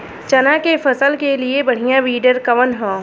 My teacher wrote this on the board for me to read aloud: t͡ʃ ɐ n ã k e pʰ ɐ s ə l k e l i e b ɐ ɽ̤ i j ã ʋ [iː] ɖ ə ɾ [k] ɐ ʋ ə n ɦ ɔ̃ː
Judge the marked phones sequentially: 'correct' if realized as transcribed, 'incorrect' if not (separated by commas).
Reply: correct, correct